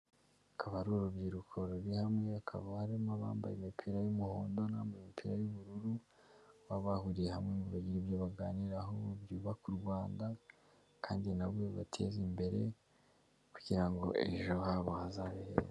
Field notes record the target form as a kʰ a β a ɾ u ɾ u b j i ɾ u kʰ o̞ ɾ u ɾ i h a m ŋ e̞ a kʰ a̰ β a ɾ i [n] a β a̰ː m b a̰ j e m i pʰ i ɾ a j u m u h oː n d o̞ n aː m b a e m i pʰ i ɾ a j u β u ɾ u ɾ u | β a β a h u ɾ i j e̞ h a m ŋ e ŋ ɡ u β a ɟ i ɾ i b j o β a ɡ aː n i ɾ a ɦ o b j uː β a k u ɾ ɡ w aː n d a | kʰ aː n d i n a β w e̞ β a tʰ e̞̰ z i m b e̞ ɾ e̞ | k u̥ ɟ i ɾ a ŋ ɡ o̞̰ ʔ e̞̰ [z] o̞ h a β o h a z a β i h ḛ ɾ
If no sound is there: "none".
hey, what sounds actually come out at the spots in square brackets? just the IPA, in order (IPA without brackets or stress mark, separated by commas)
m, ʒ